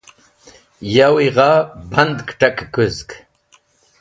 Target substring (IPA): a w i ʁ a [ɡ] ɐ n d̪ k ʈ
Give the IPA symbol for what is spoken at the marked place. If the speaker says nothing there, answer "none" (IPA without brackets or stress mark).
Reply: b